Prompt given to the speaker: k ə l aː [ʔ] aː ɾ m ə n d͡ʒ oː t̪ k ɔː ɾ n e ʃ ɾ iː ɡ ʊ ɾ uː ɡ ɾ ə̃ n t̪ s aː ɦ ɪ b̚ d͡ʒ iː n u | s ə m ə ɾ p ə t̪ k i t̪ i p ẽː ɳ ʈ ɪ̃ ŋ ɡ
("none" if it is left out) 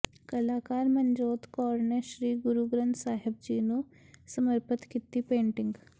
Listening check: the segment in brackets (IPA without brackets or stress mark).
k